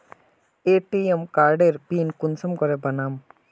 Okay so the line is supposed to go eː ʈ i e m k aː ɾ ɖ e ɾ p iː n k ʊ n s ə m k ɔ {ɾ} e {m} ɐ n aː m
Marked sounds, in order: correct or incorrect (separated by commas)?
correct, incorrect